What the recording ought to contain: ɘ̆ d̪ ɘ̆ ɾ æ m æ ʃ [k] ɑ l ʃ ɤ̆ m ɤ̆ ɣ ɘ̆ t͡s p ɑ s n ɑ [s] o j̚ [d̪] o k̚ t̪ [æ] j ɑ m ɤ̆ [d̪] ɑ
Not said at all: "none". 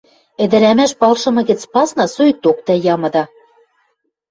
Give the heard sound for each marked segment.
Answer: p, s, t̪, æ, d̪

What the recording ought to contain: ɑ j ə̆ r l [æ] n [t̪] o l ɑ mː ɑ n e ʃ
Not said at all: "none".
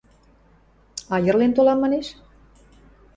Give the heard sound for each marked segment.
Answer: e, t̪

